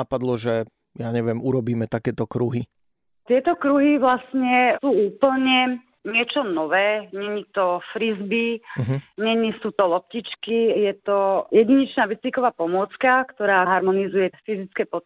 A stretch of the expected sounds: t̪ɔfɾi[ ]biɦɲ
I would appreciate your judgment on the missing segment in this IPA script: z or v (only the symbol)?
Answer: z